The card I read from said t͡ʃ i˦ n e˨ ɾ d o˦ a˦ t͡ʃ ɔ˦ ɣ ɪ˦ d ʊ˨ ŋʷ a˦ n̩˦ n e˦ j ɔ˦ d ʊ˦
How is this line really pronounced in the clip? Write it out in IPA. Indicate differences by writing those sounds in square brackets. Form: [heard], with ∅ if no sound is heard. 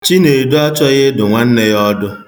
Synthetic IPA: t͡ʃ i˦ n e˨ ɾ d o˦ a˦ t͡ʃ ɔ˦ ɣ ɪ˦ d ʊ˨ ŋʷ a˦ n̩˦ n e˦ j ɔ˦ d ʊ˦